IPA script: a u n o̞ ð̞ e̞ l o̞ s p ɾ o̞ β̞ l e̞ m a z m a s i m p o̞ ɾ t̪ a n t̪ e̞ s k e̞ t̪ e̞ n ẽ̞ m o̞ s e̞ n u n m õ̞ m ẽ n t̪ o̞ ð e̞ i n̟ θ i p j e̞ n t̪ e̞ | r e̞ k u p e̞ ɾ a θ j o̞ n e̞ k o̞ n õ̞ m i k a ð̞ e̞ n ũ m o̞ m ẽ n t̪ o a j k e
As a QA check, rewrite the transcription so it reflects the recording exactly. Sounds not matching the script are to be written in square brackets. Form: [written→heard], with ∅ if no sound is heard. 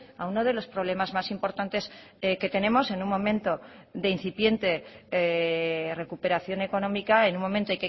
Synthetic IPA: a u n o̞ ð̞ e̞ l o̞ s p ɾ o̞ β̞ l e̞ m a z m a s i m p o̞ ɾ t̪ a n t̪ e̞ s k e̞ t̪ e̞ n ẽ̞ m o̞ s e̞ n u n m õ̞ m ẽ n t̪ o̞ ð e̞ i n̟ θ i p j e̞ n t̪ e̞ | r e̞ k u p e̞ ɾ a θ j o̞ n e̞ k o̞ n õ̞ m i k a [ð̞→∅] e̞ n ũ m o̞ m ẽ n t̪ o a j k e